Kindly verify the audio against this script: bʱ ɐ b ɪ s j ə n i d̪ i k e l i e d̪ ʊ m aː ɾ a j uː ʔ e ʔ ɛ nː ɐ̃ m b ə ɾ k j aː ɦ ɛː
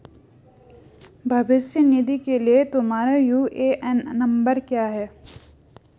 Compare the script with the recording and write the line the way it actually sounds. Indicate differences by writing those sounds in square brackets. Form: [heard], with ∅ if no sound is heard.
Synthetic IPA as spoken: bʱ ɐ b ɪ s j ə n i d̪ i k e l i e [t̪] ʊ m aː ɾ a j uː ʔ e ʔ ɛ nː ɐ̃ m b ə ɾ k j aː ɦ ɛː